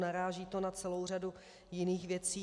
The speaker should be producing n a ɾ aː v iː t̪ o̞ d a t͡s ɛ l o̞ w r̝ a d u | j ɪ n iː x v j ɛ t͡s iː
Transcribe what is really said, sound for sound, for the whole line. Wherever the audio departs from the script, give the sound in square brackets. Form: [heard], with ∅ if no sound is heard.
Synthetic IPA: n a ɾ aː [ʒ] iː t̪ o̞ [n] a t͡s ɛ l o̞ w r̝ a d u | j ɪ n iː x v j ɛ t͡s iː